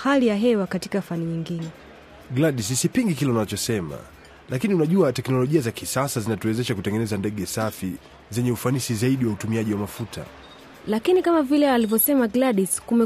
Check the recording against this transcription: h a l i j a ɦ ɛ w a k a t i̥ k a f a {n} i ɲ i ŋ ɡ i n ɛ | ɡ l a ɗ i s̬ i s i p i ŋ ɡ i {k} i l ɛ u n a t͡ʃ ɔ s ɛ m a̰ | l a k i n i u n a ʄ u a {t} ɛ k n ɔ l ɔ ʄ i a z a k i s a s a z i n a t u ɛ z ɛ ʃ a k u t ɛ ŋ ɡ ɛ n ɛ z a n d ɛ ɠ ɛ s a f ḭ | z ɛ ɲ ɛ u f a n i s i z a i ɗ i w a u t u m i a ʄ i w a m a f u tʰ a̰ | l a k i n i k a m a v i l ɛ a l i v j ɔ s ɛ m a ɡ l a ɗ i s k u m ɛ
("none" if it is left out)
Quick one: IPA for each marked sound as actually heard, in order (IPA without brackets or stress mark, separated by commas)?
n, k, t